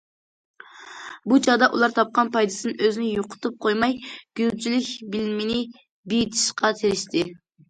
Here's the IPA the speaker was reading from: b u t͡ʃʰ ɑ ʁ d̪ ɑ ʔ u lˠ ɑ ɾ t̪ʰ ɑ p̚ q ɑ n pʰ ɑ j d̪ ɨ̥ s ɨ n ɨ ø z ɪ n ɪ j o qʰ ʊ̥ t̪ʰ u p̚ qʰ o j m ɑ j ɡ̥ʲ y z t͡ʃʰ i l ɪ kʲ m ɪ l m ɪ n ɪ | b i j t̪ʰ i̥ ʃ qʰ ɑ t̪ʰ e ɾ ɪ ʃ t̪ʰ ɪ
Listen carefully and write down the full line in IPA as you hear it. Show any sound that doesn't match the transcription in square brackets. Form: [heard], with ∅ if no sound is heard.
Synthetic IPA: b u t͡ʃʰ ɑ ʁ d̪ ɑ ʔ u lˠ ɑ ɾ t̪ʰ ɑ p̚ q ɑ n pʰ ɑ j d̪ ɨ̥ s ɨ n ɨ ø z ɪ n ɪ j o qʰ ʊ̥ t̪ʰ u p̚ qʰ o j m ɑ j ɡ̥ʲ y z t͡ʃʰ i l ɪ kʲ [b] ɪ l m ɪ n ɪ | b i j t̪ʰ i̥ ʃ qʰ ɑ t̪ʰ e ɾ ɪ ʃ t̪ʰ ɪ

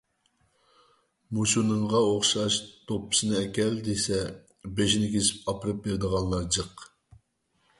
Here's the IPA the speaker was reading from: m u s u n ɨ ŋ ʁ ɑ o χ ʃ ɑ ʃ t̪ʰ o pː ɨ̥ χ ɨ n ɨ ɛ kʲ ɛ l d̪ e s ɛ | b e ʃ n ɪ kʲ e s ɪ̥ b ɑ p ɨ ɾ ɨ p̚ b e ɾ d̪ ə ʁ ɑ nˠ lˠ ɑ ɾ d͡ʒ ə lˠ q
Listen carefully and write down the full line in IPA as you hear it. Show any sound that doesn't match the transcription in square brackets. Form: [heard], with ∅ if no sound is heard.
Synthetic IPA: m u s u n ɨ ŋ ʁ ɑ o χ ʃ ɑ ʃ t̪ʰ o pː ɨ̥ [s] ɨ n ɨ ɛ kʲ ɛ l d̪ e s ɛ | b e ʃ n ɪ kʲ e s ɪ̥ [p] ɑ p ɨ ɾ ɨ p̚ b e ɾ d̪ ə ʁ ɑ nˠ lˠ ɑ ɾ d͡ʒ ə [∅] q

